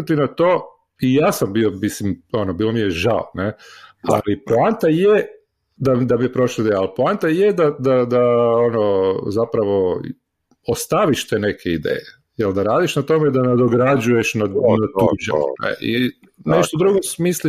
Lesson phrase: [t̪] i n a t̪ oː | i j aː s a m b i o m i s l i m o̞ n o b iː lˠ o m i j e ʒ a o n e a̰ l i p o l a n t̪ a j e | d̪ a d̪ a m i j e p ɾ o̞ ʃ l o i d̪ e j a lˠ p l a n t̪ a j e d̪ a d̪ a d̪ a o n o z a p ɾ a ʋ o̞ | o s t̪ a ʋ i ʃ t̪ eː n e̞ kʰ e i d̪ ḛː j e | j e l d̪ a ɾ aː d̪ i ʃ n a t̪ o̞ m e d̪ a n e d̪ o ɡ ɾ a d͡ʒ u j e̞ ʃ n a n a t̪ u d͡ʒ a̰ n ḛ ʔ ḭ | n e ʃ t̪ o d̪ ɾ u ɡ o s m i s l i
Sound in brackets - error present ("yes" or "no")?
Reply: no